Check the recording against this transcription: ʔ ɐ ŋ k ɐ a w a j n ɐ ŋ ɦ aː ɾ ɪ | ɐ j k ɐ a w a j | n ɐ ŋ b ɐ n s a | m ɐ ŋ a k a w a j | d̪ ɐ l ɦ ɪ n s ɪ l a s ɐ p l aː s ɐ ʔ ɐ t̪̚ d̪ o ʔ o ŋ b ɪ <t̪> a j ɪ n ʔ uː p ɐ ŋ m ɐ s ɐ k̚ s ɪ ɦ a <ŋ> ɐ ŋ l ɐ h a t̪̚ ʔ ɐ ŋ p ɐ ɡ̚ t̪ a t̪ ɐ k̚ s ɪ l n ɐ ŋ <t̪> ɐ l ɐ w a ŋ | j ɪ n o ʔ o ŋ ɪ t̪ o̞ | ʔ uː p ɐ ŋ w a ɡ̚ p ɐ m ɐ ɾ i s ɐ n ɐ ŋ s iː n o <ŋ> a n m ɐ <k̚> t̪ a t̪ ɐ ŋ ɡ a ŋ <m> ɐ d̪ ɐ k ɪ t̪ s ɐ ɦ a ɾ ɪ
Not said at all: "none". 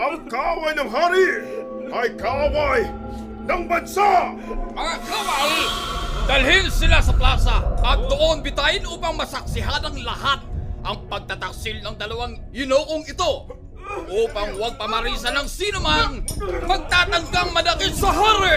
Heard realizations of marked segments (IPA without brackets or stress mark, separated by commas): t̪, n, d̪, m, ɡ̚, m